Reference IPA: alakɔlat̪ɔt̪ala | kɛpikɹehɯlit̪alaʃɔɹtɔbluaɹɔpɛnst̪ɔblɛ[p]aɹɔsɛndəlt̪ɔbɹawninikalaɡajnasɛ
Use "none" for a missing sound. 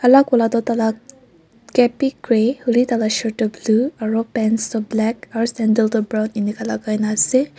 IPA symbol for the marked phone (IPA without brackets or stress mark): k